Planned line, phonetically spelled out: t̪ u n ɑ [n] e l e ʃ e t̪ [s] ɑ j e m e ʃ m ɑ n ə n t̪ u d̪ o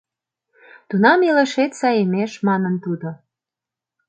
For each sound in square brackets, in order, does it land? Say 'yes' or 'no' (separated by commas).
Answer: no, yes